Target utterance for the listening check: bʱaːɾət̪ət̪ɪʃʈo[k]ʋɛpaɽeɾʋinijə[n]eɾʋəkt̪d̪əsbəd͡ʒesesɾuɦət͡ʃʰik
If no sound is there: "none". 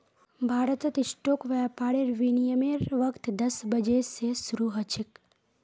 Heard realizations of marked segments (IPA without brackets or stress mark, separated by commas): k, m